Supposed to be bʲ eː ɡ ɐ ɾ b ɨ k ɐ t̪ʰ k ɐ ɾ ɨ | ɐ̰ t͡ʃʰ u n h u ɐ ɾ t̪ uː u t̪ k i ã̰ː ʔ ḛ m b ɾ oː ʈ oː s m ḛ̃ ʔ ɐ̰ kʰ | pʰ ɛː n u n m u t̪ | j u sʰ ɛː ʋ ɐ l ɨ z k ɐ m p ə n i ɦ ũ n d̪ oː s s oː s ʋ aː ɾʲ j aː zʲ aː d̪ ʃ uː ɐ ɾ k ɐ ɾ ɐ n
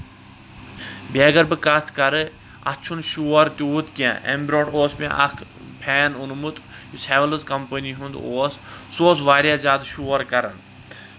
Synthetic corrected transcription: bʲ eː ɡ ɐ ɾ b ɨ k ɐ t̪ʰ k ɐ ɾ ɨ | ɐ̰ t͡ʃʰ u n ʃ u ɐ ɾ t̪ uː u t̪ k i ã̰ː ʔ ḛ m b ɾ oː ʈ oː s m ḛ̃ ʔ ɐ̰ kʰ | pʰ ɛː n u n m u t̪ | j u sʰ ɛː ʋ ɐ l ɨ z k ɐ m p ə n i ɦ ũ n d̪ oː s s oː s ʋ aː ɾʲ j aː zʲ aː d̪ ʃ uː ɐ ɾ k ɐ ɾ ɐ n